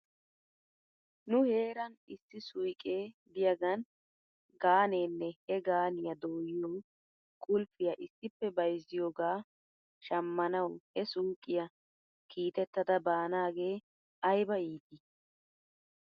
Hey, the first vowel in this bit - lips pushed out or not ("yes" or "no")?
yes